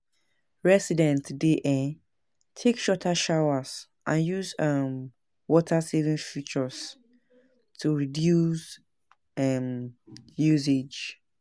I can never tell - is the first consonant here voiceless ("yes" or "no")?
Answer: no